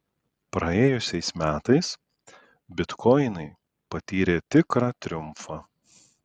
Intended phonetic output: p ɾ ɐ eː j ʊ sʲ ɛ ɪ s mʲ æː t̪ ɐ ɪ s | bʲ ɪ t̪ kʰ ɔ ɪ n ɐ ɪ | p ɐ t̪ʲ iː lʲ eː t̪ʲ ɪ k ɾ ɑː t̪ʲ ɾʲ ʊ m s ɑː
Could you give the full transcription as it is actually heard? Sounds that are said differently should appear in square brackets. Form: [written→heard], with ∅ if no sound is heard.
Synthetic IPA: p ɾ ɐ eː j ʊ sʲ ɛ ɪ s mʲ æː t̪ ɐ ɪ s | bʲ ɪ t̪ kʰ ɔ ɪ n ɐ ɪ | p ɐ t̪ʲ iː [lʲ→ɾʲ] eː t̪ʲ ɪ k ɾ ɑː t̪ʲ ɾʲ ʊ m [s→f] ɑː